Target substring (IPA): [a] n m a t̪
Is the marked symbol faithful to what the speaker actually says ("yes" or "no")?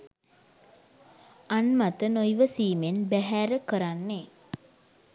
yes